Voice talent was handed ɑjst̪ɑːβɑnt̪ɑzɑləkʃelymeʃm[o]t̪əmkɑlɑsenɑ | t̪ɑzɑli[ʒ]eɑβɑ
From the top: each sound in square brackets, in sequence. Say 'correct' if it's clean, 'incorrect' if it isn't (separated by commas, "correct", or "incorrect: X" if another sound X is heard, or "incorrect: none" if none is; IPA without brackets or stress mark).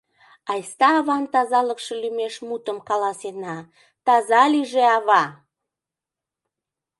incorrect: u, correct